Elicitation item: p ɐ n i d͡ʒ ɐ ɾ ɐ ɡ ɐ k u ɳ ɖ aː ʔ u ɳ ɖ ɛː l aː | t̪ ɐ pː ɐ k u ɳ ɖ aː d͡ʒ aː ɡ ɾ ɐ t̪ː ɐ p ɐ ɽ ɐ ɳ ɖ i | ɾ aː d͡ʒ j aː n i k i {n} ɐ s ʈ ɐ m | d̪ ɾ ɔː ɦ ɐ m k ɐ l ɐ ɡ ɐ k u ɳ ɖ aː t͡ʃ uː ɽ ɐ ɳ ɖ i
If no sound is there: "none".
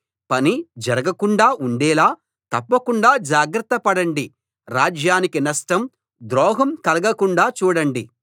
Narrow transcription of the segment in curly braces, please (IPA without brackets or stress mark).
n